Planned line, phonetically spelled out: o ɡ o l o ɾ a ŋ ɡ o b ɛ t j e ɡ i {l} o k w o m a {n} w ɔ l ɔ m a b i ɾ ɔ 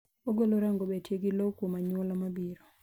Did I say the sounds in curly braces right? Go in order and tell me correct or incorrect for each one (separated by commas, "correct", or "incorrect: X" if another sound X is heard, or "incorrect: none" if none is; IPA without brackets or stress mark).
correct, incorrect: ɲ